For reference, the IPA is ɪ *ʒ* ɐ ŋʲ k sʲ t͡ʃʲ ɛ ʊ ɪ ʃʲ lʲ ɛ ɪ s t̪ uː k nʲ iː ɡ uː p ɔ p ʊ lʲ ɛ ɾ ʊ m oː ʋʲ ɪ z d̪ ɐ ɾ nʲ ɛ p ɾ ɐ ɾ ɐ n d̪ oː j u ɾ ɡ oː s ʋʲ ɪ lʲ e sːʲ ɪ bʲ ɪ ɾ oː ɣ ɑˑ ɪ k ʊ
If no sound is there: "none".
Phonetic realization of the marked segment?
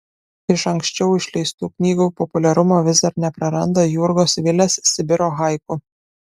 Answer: ʃ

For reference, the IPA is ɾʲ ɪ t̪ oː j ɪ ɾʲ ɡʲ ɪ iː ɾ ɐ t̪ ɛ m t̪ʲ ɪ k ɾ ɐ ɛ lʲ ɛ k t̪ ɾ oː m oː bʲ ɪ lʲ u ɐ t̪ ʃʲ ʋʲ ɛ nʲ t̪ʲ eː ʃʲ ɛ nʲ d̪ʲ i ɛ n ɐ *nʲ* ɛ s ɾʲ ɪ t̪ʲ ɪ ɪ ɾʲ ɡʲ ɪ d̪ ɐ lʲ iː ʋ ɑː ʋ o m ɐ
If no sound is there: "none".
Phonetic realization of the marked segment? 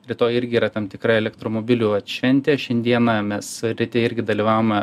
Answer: mʲ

